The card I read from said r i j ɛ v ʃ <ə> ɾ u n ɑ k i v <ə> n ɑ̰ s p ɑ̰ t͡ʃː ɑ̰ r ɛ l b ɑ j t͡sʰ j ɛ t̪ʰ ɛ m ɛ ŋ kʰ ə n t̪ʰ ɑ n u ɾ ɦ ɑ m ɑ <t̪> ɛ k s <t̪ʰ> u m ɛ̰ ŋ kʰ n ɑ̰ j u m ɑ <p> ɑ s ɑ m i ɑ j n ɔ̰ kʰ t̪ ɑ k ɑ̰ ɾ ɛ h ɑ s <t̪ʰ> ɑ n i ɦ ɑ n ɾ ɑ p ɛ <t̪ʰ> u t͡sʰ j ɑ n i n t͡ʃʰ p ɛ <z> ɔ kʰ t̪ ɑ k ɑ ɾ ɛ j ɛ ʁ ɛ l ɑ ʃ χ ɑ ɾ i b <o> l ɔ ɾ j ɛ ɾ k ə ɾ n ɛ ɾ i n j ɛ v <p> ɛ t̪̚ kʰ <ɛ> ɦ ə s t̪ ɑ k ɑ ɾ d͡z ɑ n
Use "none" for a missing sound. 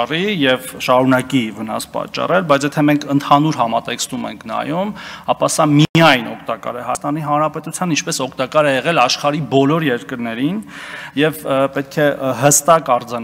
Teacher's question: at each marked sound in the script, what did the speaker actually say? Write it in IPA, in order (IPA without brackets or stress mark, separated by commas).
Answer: ɑ, ə, t̪, t̪, p, t̪, t̪, s, ɔ, p, ɛ